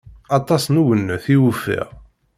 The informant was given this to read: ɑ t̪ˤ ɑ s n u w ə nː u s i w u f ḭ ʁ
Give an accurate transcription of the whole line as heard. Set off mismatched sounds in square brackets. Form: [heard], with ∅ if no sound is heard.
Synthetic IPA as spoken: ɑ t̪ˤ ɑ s n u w ə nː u [θ] i w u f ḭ ʁ